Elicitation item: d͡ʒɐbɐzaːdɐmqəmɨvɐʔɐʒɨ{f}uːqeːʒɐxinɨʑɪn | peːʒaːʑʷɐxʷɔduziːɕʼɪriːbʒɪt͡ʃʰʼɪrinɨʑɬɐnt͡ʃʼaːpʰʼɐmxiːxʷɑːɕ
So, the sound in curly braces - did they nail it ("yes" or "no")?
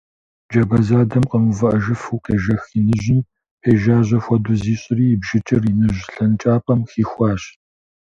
yes